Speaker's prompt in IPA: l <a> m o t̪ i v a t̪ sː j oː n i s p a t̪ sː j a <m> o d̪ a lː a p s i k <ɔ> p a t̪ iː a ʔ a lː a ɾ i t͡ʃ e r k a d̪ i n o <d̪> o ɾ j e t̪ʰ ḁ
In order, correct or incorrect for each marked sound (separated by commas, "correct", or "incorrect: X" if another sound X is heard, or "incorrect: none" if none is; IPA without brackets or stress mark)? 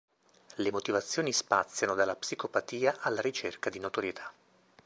incorrect: e, incorrect: n, incorrect: o, incorrect: t̪